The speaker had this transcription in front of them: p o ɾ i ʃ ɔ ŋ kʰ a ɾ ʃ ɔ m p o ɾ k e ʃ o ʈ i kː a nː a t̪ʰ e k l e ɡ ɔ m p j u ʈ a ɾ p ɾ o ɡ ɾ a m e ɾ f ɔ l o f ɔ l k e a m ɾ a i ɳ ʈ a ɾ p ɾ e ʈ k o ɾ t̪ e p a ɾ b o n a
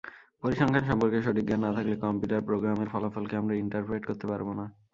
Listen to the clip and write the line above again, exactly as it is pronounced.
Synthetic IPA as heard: p o ɾ i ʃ ɔ ŋ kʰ a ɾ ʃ ɔ m p o ɾ k e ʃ o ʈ i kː a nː a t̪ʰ a k l e k ɔ m p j u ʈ a ɾ p ɾ o ɡ ɾ a m e ɾ f ɔ l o f ɔ l k e a m ɾ a i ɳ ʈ a ɾ p ɾ e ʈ k o ɾ t̪ e p a ɾ b o n a